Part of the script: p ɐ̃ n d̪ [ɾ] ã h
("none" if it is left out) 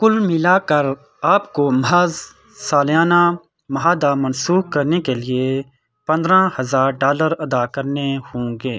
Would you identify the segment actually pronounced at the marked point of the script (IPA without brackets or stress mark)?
ɾ